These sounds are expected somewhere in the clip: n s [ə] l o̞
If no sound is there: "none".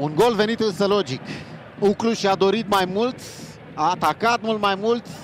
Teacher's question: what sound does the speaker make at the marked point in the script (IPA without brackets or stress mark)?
ə